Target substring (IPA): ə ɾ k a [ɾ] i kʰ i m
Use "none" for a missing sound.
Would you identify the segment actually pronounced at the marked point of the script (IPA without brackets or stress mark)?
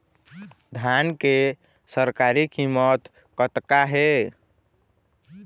ɾ